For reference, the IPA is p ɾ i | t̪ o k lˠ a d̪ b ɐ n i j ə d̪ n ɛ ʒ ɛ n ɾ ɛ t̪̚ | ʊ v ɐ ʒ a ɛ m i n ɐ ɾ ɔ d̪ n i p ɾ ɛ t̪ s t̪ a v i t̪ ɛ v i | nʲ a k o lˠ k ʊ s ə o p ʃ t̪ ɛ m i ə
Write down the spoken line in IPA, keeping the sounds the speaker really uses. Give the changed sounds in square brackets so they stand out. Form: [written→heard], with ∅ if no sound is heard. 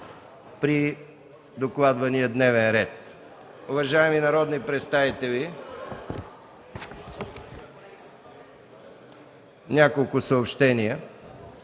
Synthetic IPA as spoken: p ɾ i | [t̪→d̪] o k lˠ a d̪ [b→v] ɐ n i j ə d̪ n ɛ [ʒ→v] ɛ n ɾ ɛ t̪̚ | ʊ v ɐ ʒ a ɛ m i n ɐ ɾ ɔ d̪ n i p ɾ ɛ t̪ s t̪ a v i t̪ ɛ v i | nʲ a k o lˠ k ʊ s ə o p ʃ t̪ ɛ [m→n] i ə